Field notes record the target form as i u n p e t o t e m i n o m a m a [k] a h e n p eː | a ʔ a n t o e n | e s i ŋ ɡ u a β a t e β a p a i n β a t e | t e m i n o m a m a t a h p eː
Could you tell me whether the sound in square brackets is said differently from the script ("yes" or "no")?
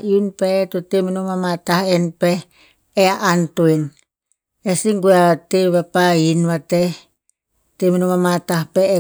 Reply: yes